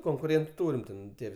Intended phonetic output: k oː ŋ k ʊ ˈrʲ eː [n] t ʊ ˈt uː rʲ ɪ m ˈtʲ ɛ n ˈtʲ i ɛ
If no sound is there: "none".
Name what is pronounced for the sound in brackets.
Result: n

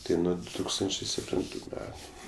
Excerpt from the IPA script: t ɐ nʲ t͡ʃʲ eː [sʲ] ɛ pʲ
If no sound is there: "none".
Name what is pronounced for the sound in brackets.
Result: sʲ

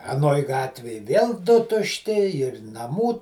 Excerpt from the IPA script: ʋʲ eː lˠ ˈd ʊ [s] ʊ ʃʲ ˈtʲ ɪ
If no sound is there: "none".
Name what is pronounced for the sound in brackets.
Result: t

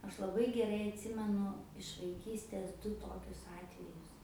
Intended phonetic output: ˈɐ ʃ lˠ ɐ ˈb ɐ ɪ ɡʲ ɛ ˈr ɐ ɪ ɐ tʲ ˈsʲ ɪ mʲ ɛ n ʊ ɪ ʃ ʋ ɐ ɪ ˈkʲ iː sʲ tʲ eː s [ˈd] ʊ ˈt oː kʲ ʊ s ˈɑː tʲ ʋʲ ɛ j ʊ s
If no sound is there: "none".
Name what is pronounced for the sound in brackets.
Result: d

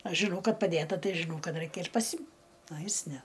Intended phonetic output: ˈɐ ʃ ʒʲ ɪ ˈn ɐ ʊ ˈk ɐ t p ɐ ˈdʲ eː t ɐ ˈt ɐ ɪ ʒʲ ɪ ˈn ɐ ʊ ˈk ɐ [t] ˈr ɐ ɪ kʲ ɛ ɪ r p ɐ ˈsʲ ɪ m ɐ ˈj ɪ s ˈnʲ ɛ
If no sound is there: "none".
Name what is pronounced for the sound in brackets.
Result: t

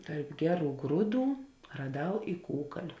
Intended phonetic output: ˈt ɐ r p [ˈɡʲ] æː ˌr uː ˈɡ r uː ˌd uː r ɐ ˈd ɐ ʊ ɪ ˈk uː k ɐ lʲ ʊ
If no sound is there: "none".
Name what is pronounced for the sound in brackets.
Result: ɡʲ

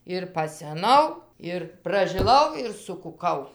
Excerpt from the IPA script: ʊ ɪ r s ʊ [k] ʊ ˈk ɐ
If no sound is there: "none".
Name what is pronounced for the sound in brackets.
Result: k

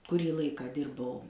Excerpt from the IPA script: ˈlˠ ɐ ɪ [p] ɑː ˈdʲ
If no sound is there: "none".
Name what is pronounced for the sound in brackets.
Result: k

